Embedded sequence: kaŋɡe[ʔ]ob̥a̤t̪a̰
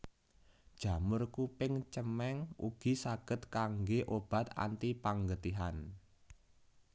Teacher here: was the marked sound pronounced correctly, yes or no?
yes